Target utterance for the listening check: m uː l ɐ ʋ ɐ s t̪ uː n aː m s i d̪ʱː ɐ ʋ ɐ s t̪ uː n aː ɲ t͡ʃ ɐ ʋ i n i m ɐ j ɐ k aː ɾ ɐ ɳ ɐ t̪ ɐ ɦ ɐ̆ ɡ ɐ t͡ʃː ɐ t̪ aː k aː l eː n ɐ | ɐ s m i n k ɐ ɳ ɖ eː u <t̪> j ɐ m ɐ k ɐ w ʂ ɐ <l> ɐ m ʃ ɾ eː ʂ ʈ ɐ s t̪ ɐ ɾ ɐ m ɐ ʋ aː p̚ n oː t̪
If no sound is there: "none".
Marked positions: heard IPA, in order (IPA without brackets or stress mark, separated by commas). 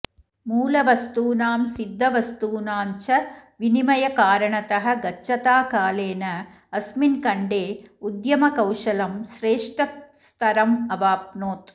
d̪, l